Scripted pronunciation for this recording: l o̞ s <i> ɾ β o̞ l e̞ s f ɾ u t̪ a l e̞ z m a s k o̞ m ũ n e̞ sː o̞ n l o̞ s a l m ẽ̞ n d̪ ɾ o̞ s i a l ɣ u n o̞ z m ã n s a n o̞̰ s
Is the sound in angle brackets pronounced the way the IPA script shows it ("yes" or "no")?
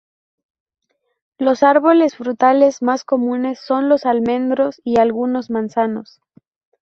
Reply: no